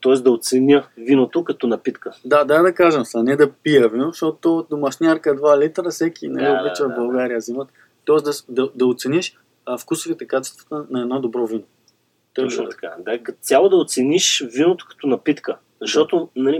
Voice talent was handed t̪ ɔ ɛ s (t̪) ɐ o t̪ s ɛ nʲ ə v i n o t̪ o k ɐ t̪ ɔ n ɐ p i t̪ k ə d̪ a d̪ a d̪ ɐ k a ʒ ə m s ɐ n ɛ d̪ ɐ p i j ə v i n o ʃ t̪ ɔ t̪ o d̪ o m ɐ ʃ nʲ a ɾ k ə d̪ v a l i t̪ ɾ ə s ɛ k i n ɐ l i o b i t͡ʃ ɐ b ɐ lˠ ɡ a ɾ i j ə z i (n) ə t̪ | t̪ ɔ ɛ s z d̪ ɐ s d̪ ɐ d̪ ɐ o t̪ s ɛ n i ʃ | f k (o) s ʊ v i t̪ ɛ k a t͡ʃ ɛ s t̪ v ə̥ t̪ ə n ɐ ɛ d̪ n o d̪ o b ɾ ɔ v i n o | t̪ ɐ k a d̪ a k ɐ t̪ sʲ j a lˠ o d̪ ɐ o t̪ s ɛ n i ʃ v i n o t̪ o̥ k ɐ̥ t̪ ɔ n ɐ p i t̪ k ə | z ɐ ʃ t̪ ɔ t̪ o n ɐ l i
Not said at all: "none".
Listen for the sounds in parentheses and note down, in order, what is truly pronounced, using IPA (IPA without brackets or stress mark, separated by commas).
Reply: d̪, m, u